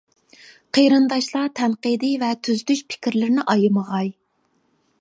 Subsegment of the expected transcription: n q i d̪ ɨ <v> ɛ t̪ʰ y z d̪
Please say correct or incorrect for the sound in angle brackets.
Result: correct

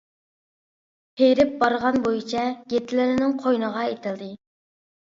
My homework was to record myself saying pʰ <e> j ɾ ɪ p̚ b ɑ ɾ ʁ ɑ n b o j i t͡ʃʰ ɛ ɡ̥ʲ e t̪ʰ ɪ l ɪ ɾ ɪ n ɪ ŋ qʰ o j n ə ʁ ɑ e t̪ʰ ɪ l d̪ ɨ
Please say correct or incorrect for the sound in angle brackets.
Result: correct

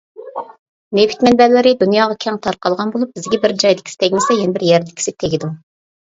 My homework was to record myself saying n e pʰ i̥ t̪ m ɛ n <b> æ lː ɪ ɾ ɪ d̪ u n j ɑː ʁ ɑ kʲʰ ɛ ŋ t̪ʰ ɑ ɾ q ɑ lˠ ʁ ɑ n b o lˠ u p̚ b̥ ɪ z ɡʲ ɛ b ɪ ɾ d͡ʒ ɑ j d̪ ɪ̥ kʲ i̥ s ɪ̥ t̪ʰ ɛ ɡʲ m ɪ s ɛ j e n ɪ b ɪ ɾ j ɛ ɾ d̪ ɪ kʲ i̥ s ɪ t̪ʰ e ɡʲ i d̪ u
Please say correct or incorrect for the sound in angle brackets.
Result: correct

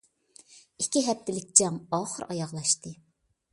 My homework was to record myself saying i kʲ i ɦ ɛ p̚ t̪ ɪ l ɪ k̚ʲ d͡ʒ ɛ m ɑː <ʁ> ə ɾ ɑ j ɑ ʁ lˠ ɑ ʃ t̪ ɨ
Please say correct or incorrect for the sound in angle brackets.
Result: incorrect: χ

